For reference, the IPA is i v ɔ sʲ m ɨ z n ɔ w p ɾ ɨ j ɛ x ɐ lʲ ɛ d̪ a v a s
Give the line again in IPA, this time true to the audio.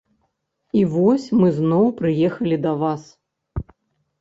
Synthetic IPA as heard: i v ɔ sʲ m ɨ z n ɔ w p ɾ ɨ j ɛ x ɐ lʲ i d̪ ɐ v a s